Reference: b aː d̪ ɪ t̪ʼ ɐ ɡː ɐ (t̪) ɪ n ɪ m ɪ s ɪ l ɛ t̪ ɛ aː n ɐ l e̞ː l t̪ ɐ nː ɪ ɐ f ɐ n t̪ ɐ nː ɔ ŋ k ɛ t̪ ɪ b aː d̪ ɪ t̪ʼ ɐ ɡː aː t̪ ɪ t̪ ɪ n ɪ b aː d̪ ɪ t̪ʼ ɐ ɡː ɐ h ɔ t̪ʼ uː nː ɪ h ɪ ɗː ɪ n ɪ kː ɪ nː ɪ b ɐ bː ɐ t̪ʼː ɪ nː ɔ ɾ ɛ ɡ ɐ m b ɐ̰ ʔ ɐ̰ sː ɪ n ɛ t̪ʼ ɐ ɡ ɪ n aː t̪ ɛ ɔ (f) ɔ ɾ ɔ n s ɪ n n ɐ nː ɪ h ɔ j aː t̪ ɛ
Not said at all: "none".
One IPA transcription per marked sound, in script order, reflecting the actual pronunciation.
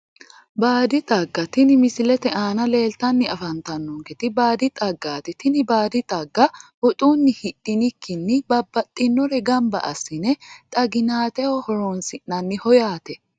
t̪, h

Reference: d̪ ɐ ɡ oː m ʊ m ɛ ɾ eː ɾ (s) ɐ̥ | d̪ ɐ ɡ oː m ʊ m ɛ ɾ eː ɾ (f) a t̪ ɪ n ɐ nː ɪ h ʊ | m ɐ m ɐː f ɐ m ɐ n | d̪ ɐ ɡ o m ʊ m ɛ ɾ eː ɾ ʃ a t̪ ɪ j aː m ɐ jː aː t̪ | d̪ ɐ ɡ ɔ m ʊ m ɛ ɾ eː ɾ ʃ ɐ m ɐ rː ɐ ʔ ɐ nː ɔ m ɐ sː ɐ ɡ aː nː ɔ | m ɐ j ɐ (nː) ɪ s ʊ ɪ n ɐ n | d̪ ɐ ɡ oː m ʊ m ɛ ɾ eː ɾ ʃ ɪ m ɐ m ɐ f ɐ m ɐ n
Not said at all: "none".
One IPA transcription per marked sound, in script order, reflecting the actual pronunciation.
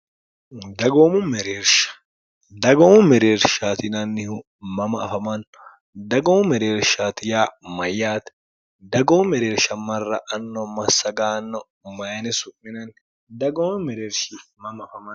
ʃ, ʃ, n

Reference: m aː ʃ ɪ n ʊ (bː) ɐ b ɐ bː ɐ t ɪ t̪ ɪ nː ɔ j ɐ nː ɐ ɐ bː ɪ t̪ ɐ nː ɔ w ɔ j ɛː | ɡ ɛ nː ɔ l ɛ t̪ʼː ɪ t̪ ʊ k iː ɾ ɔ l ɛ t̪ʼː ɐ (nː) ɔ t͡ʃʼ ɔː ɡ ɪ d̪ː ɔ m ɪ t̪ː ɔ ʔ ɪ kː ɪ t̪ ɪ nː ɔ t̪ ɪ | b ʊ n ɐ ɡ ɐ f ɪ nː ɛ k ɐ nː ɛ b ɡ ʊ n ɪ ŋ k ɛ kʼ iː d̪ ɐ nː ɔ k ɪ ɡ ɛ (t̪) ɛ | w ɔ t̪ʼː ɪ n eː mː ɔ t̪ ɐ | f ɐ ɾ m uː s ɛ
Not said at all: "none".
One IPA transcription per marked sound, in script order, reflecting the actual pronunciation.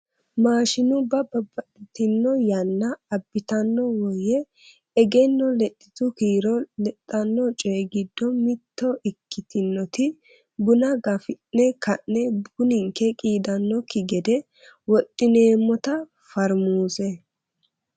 b, nː, d̪

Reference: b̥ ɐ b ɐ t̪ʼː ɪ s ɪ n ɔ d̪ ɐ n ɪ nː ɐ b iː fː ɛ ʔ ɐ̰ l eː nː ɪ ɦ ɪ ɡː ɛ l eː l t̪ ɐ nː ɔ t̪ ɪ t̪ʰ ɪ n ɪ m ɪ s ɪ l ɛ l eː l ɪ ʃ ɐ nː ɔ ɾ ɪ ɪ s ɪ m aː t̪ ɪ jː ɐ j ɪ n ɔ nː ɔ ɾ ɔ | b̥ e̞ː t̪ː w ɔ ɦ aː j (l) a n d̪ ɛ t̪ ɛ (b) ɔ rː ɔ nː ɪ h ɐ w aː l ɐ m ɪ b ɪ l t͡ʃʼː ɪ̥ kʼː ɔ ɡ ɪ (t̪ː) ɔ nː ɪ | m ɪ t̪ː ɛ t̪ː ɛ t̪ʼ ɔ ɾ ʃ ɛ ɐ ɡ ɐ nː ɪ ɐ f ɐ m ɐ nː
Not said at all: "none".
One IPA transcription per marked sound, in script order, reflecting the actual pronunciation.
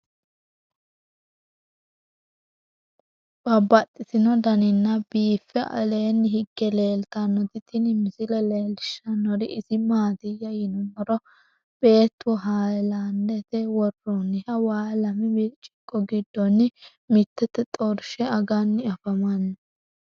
l, w, d̪ː

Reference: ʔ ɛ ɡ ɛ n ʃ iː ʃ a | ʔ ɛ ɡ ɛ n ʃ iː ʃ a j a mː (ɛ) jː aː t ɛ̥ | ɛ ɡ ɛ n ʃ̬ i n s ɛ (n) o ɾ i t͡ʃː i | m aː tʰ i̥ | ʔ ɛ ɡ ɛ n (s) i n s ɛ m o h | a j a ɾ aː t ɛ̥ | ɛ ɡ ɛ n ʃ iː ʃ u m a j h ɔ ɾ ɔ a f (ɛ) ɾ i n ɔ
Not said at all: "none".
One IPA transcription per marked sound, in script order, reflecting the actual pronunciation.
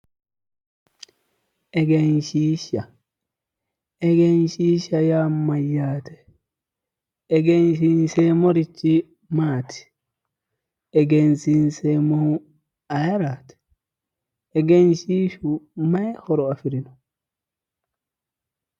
a, m, s, i

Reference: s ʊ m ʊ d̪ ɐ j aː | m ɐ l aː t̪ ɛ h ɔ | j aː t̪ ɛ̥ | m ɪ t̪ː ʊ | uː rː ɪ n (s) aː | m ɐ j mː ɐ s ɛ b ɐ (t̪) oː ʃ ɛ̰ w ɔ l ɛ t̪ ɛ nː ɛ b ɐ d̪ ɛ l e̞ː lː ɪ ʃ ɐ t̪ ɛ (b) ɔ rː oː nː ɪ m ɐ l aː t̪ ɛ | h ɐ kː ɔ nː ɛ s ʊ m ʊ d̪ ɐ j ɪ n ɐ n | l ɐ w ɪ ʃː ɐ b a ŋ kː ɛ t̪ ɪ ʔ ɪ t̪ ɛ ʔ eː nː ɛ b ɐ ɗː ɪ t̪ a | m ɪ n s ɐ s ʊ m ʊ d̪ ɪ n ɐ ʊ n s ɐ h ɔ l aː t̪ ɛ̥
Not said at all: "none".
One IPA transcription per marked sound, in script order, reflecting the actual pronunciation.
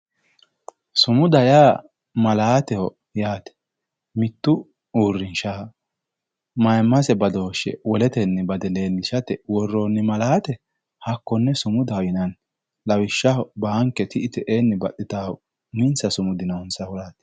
ʃ, d̪, w

